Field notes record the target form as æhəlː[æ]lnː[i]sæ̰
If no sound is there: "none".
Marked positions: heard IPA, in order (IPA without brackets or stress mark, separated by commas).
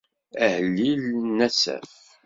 i, æ